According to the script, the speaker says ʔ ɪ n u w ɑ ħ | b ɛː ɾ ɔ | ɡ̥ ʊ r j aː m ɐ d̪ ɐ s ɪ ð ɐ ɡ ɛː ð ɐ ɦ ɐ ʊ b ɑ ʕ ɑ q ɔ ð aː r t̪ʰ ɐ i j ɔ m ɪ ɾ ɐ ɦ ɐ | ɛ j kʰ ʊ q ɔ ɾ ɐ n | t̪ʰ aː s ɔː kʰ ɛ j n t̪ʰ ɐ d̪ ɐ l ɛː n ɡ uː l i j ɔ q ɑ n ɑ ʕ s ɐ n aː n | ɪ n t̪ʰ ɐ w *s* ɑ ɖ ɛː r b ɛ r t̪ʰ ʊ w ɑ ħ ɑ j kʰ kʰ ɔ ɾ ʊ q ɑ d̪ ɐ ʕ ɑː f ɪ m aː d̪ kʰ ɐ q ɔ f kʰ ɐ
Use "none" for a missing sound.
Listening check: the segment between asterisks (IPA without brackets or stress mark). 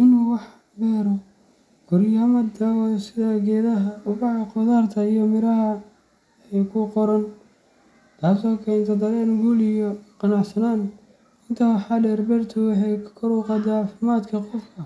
ħ